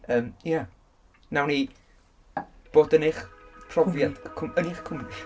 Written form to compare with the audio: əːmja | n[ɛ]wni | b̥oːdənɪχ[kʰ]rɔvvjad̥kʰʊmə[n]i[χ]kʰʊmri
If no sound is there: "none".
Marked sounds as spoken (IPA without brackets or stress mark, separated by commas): a, pʰ, n, χ